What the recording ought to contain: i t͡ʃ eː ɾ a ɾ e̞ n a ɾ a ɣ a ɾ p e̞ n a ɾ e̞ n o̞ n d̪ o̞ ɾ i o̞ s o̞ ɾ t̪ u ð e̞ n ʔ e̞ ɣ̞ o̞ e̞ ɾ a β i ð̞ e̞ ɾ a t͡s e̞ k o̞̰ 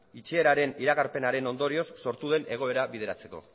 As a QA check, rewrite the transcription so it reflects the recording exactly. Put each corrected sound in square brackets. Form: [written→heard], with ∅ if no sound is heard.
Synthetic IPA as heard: i t͡ʃ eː ɾ a ɾ e̞ n [a→i] ɾ a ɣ a ɾ p e̞ n a ɾ e̞ n o̞ n d̪ o̞ ɾ i o̞ [s→sː] o̞ ɾ t̪ u ð e̞ n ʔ e̞ ɣ̞ o̞ e̞ ɾ a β i ð̞ e̞ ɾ a t͡s e̞ k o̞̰